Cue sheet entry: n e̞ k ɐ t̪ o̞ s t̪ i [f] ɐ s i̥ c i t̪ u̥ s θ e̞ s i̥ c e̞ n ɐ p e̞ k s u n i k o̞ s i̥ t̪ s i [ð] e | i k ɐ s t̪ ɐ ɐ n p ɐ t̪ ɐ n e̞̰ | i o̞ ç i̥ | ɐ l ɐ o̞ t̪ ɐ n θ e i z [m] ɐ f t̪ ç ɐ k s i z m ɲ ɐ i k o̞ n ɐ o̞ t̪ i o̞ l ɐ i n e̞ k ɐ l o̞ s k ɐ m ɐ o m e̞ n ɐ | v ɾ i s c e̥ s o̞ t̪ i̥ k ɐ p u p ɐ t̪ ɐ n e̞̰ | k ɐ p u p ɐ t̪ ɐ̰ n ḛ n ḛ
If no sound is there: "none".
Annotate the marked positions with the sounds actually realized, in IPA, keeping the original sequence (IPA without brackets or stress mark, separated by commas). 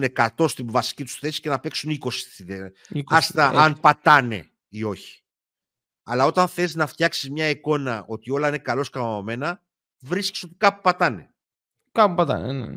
v, ð, n